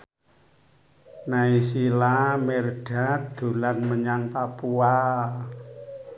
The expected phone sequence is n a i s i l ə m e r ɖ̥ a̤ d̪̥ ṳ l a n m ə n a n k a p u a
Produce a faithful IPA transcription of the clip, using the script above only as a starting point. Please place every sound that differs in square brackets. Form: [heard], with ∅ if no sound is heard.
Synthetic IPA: n a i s i l [a] m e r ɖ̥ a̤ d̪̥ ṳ l a n m ə [ɲ] a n [p] a p u a